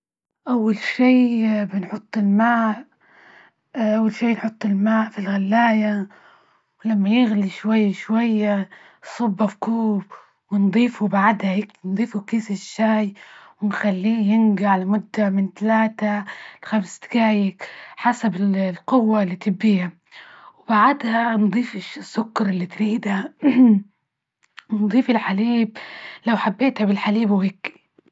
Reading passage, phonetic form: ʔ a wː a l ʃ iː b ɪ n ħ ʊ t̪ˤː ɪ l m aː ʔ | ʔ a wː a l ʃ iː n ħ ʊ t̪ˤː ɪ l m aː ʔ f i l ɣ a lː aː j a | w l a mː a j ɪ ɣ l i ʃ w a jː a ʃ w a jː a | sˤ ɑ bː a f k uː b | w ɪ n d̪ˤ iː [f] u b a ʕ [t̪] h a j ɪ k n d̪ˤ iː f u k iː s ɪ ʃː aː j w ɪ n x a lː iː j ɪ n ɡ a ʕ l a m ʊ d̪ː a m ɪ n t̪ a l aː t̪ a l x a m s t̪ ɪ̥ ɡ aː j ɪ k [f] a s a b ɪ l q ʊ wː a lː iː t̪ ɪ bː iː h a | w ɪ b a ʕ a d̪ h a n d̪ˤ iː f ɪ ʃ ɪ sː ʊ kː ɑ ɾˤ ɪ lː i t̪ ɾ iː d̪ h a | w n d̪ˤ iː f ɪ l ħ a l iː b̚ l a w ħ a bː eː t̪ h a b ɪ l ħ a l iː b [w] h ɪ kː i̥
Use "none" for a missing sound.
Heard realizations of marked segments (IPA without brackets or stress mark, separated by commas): f, d̪, ħ, w